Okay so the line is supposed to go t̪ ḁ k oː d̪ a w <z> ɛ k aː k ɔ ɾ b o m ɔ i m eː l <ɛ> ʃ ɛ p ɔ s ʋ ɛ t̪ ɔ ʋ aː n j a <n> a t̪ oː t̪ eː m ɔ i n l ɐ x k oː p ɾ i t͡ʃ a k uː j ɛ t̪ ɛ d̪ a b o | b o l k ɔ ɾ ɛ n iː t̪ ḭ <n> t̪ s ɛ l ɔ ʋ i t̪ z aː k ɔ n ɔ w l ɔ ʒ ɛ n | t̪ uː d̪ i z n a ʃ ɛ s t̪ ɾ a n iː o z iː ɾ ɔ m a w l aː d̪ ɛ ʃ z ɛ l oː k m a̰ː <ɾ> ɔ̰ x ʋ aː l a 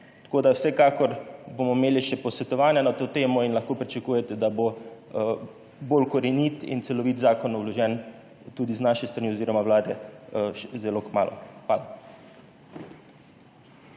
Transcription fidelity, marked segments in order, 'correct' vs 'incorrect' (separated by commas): incorrect, incorrect, correct, correct, incorrect